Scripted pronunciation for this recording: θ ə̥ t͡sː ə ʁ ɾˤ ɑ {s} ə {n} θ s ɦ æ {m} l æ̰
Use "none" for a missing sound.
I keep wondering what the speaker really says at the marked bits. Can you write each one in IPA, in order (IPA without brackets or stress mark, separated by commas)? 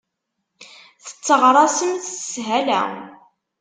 s, m, none